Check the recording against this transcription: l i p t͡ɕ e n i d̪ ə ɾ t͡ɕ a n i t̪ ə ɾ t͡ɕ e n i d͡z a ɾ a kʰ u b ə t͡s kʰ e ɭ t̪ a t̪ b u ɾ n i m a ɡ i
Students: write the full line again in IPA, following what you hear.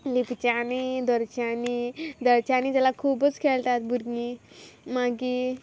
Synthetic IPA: l i p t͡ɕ a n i d̪ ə ɾ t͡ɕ a n i d̪ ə ɾ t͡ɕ a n i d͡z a l a kʰ u b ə t͡s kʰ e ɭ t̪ a t̪ b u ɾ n i m a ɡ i